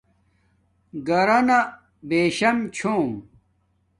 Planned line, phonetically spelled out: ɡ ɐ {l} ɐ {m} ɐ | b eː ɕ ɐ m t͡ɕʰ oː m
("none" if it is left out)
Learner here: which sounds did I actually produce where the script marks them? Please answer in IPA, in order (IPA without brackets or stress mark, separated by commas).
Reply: ɾ, n